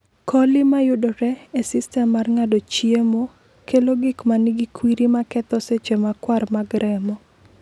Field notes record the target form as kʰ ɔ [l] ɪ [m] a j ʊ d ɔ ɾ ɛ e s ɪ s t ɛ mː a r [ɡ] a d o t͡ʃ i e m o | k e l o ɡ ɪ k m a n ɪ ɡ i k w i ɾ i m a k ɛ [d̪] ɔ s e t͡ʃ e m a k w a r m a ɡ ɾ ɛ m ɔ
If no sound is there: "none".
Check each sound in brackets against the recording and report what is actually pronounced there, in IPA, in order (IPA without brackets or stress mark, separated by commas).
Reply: l, m, ŋ, t̪